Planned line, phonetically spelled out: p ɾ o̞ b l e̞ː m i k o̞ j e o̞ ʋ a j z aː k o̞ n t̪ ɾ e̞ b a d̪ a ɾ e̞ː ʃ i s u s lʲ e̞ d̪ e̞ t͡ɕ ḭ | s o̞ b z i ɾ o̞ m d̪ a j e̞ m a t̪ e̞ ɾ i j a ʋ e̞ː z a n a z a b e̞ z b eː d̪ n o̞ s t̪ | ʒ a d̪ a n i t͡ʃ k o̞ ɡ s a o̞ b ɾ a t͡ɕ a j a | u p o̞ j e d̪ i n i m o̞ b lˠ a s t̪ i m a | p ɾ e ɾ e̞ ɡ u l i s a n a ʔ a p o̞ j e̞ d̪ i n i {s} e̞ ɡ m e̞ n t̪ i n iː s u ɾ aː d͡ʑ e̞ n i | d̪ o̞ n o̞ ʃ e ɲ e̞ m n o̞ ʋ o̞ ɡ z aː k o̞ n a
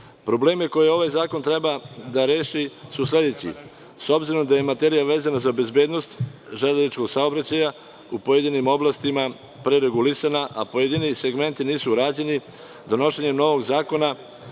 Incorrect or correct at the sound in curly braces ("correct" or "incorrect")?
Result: correct